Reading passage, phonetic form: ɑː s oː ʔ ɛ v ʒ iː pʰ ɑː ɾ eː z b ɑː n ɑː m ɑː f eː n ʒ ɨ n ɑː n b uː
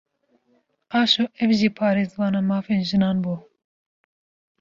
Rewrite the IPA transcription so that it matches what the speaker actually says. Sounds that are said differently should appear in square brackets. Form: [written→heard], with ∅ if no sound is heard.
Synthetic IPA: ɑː [s→ʃ] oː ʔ ɛ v ʒ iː pʰ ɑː ɾ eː z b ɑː n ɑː m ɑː f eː n ʒ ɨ n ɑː n b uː